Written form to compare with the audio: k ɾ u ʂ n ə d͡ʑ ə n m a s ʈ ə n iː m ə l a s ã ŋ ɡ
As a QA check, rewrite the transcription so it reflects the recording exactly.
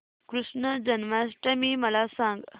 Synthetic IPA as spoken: k ɾ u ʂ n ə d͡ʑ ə n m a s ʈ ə m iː m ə l a s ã ŋ ɡ